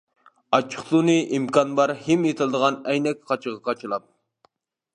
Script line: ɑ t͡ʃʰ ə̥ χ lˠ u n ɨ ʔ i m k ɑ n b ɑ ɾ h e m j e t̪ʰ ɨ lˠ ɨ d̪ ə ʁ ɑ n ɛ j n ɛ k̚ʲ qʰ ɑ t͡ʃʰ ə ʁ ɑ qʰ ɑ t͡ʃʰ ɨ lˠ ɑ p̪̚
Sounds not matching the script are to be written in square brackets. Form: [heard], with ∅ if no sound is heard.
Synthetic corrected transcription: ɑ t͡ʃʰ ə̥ χ lˠ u n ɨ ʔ i m k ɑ n b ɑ ɾ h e m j e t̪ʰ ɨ lˠ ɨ d̪ ə ʁ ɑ n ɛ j n ɛ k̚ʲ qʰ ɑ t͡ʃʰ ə ʁ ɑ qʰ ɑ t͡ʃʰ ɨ lˠ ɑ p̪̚